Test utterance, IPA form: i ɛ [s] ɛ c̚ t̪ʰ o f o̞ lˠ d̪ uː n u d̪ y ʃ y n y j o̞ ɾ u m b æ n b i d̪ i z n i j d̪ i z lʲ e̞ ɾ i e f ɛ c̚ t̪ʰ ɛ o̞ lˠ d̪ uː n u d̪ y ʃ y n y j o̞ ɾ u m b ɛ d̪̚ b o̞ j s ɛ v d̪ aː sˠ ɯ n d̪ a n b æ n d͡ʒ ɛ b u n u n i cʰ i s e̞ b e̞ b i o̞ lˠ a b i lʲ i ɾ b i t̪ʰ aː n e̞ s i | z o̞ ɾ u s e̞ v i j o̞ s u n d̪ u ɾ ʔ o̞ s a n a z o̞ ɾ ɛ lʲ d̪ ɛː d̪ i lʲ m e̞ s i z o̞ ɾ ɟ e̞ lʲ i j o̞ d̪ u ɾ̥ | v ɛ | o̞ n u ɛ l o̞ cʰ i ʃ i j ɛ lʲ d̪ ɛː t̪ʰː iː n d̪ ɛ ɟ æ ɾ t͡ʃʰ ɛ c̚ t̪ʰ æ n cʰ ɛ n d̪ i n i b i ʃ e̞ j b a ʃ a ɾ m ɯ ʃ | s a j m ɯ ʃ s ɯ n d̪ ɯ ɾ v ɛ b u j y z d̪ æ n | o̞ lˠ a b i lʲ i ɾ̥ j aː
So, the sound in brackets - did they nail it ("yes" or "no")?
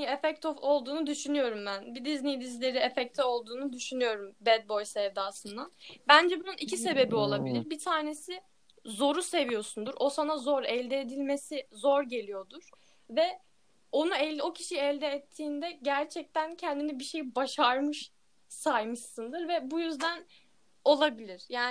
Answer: no